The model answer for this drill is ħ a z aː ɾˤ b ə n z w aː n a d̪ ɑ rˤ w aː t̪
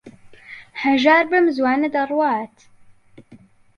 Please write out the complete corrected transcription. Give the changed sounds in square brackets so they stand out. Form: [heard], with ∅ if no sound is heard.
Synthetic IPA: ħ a [ʒ] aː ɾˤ b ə [m] z w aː n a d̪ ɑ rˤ w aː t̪